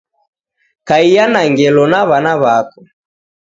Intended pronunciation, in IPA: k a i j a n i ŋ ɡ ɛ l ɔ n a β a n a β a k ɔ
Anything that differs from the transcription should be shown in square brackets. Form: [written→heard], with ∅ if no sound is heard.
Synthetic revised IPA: k a i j a n [i→a] ŋ ɡ ɛ l ɔ n a β a n a β a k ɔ